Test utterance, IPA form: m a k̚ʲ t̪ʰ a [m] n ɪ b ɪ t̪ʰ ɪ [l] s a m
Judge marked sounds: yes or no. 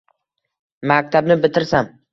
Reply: no, no

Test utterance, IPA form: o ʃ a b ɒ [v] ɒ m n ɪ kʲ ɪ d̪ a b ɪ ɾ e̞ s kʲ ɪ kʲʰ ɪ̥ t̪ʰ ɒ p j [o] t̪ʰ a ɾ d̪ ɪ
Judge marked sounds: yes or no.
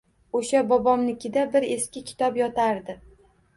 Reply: no, no

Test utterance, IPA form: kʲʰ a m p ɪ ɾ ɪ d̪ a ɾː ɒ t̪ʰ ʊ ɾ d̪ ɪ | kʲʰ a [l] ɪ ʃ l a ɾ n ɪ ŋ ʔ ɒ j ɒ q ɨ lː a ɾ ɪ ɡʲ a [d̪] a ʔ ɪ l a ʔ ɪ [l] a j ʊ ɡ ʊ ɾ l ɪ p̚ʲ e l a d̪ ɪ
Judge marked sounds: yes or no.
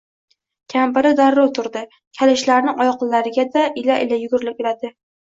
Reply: yes, yes, yes

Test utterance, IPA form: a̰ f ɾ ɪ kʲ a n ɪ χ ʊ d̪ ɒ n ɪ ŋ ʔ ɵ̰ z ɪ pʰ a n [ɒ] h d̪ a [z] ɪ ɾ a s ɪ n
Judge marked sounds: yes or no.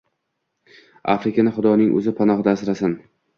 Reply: yes, no

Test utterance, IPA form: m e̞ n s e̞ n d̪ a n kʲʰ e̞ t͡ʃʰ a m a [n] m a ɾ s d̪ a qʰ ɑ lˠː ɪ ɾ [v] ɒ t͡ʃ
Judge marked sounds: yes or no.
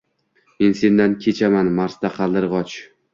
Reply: yes, no

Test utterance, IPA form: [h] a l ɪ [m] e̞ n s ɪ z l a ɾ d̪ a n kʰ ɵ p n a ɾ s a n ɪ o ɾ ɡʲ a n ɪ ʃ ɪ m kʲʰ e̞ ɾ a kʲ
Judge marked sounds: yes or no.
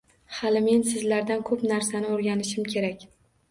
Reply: yes, yes

